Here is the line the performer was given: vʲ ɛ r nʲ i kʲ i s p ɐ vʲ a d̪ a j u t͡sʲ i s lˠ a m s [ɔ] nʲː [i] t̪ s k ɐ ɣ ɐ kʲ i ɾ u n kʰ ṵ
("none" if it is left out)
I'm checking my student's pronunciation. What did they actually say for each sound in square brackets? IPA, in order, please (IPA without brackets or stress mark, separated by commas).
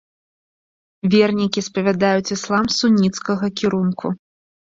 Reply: u, i